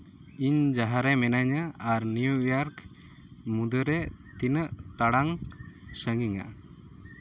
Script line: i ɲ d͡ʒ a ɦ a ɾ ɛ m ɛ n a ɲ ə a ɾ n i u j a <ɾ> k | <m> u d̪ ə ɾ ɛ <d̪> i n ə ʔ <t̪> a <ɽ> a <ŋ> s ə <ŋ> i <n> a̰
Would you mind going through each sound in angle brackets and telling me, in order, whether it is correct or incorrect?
correct, correct, incorrect: t̪, correct, correct, correct, correct, incorrect: ŋ

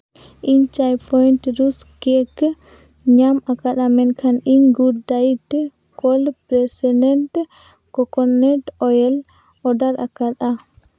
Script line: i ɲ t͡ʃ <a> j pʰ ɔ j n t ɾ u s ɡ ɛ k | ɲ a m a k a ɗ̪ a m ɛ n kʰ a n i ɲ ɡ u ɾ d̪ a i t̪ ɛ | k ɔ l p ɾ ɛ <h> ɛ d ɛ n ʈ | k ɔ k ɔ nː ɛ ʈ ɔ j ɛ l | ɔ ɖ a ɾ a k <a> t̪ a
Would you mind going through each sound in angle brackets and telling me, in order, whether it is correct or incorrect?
correct, incorrect: s, correct

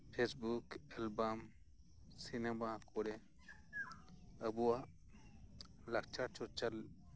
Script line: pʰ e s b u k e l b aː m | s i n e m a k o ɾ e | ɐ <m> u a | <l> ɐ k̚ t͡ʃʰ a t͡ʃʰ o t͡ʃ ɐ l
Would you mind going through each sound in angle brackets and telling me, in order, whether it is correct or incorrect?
incorrect: b, correct

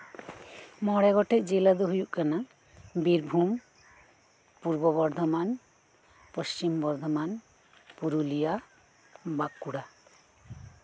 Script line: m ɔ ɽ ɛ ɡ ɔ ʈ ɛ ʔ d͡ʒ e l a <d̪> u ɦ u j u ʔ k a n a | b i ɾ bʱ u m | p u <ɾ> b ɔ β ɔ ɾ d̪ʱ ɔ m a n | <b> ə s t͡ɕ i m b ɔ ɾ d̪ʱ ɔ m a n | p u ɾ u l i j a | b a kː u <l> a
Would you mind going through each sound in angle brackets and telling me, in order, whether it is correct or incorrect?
correct, correct, incorrect: p, incorrect: ɽ

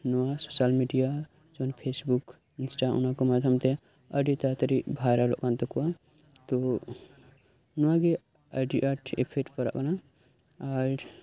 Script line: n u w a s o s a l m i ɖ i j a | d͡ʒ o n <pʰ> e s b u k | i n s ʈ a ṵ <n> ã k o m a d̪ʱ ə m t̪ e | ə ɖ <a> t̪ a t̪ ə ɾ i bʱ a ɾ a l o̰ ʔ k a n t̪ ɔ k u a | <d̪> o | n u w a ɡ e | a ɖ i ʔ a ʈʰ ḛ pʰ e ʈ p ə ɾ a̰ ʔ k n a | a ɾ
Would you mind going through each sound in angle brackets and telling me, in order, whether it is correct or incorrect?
correct, correct, incorrect: i, incorrect: t̪

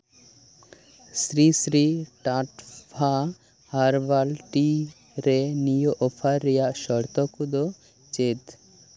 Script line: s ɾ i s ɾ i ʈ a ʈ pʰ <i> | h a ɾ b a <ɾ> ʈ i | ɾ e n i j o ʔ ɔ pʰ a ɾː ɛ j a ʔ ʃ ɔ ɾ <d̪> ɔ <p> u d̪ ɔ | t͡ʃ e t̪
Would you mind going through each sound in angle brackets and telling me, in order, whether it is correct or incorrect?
incorrect: a, incorrect: l, incorrect: t̪, incorrect: k

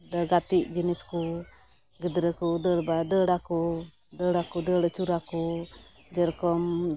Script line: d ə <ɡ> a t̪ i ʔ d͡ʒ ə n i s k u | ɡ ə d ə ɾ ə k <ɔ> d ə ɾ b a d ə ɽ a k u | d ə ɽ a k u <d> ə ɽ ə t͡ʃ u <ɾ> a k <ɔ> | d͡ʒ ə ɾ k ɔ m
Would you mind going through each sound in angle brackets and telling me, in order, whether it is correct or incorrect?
correct, incorrect: u, correct, correct, incorrect: u

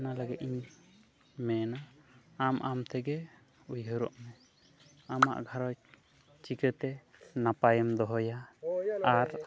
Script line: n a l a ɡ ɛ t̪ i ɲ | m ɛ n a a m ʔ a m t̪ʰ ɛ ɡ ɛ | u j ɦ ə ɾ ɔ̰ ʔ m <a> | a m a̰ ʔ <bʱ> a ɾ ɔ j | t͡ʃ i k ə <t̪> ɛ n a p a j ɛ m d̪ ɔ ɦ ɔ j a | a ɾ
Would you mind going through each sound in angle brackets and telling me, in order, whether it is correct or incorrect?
incorrect: ɛ, incorrect: ɡʱ, correct

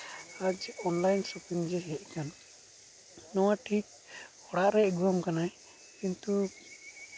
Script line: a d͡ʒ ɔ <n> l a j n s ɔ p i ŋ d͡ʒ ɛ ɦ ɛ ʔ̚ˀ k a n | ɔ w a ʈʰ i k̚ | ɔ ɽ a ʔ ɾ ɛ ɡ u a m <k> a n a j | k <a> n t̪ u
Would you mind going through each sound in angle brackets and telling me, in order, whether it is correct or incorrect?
correct, correct, incorrect: i

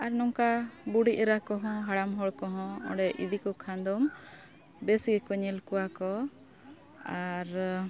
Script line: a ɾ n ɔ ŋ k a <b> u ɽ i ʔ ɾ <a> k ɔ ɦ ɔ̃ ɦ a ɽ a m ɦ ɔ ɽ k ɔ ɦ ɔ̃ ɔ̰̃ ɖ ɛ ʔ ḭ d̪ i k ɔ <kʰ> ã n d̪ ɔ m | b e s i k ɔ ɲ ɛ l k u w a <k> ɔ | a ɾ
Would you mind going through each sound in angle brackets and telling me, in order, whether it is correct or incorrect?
correct, correct, correct, correct

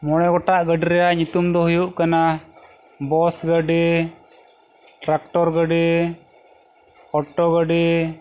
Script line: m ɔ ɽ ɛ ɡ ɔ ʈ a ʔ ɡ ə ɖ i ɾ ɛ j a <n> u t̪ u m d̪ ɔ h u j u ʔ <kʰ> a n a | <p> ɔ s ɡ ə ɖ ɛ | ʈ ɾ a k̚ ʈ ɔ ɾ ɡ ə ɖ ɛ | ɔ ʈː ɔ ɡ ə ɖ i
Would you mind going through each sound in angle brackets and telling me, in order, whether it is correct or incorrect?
incorrect: ɲ, incorrect: k, incorrect: b

